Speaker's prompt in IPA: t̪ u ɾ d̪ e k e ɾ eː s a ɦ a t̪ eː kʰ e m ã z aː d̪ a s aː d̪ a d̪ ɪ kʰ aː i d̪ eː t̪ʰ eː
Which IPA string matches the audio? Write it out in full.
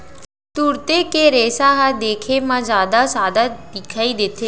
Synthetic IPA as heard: t̪ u ɾ t̪ e k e ɾ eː s a ɦ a d̪ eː kʰ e m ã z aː d̪ a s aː d̪ a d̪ ɪ kʰ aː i d̪ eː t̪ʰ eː